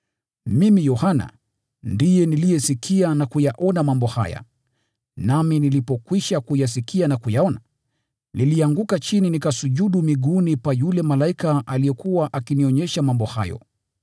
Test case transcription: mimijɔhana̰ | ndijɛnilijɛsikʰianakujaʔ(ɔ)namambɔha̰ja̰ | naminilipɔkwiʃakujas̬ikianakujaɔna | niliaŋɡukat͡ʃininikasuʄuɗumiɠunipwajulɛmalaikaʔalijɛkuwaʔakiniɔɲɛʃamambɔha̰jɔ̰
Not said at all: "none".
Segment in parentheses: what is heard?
ɔ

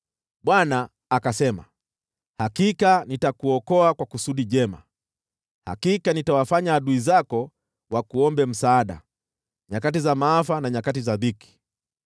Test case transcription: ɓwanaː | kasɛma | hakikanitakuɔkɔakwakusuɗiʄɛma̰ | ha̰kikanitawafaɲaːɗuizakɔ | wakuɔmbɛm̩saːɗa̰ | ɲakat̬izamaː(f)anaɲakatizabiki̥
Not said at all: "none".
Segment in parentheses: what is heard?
f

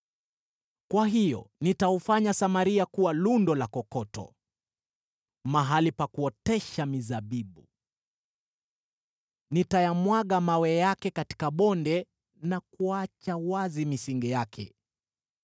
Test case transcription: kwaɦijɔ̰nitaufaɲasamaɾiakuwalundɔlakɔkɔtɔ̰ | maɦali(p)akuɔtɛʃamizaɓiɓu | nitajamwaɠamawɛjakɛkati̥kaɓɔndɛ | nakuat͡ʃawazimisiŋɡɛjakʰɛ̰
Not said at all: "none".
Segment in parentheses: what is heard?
p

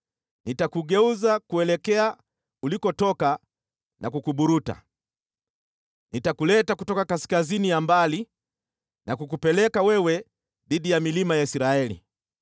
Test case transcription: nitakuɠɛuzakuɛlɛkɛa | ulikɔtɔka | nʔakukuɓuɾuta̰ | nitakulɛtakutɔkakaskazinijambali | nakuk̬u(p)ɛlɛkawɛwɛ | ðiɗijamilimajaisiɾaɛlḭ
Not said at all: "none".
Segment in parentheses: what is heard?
p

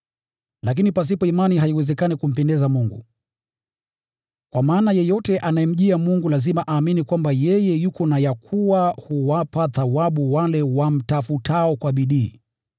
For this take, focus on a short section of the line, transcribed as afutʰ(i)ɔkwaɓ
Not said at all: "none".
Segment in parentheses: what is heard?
a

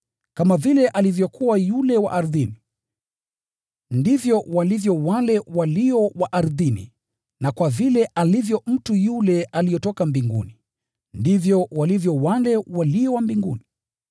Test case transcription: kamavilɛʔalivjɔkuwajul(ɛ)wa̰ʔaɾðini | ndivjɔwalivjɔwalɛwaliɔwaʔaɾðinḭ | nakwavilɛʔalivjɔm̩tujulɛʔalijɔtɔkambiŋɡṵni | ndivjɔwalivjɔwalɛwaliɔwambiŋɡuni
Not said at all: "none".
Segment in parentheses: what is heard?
ɛ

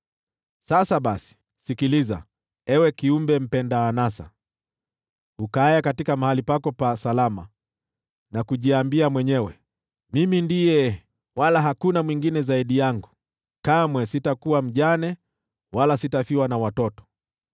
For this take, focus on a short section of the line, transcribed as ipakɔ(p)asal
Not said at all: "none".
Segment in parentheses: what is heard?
p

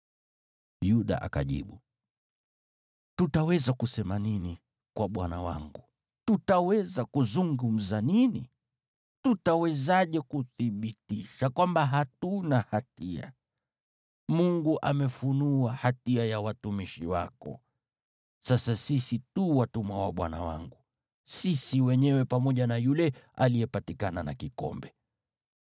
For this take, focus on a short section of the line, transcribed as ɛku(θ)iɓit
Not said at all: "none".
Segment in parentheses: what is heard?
θ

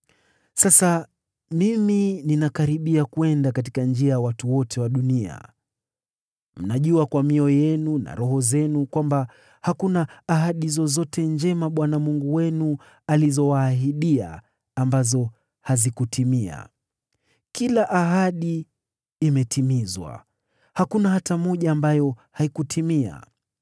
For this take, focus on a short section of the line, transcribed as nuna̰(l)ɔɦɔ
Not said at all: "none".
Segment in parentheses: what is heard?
ɾ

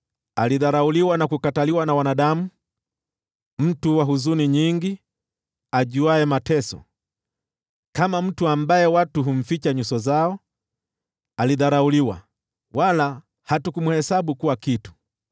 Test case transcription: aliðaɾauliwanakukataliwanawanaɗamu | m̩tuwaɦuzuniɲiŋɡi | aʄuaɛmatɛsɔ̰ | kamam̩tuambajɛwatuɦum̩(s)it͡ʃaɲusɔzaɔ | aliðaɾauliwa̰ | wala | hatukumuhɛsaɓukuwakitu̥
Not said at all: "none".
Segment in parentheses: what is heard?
f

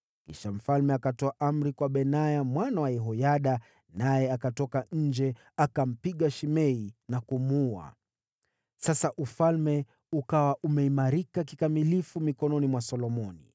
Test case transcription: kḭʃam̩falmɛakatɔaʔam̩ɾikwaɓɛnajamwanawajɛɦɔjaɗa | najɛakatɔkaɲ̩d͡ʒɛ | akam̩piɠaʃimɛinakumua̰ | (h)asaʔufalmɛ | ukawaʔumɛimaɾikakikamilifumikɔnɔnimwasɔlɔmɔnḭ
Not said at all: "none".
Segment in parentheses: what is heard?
s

